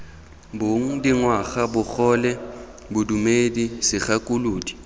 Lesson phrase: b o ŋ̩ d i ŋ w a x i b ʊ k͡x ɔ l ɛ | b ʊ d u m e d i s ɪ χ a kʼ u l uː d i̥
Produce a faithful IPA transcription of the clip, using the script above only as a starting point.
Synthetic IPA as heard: b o ŋ̩ d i ŋ w a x a b ʊ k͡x ɔ l ɛ | b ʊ d u m e d i s ɪ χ a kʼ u l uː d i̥